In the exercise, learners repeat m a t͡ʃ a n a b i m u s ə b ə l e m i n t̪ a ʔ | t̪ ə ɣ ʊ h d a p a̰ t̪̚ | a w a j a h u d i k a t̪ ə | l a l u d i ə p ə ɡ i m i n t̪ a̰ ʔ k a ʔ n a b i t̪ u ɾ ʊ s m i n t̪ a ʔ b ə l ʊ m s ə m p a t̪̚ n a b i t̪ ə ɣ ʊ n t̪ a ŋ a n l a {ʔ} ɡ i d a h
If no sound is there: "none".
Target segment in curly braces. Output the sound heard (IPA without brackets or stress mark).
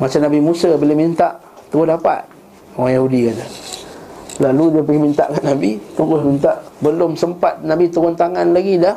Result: none